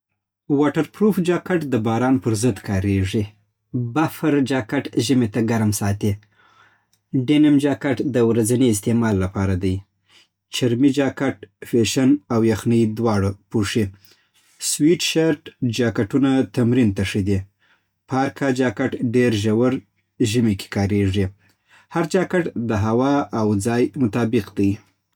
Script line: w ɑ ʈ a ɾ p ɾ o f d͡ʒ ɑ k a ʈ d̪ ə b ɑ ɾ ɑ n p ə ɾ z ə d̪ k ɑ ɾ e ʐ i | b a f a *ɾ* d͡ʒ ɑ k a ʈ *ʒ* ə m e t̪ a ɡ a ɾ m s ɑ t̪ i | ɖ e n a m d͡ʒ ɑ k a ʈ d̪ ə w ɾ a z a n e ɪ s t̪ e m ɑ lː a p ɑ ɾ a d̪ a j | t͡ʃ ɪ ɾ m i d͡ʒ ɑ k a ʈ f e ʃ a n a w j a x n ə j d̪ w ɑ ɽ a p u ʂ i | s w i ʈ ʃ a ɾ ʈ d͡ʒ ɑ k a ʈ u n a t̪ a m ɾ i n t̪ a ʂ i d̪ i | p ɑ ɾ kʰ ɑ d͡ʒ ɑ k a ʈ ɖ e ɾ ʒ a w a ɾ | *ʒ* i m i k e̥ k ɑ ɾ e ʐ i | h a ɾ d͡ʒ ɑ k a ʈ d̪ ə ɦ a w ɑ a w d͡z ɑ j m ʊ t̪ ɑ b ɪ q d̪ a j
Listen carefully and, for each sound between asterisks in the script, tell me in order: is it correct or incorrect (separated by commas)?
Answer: correct, correct, correct